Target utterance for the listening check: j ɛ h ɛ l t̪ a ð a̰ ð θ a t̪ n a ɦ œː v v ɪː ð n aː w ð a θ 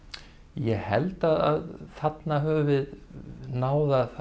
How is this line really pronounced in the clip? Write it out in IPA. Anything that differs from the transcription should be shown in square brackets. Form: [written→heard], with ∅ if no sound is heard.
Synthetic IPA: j ɛ h ɛ l t̪ a ð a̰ ð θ a t̪ n a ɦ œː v v [ɪː→ɪ] ð n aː w ð a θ